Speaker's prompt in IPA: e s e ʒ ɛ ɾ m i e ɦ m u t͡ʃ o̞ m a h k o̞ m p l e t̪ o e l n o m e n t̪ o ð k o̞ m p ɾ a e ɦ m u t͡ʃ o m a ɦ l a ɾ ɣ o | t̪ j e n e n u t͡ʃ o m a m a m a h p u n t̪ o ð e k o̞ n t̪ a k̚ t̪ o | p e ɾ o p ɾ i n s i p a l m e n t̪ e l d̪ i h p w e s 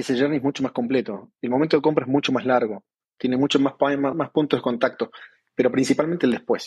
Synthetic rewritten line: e s e ʒ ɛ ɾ n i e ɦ m u t͡ʃ o̞ m a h k o̞ m p l e t̪ o e l m o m e n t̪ o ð k o̞ m p ɾ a e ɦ m u t͡ʃ o m a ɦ l a ɾ ɣ o | t̪ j e n e m u t͡ʃ o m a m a m a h p u n t̪ o ð e k o̞ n t̪ a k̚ t̪ o | p e ɾ o p ɾ i n s i p a l m e n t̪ e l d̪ e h p w e s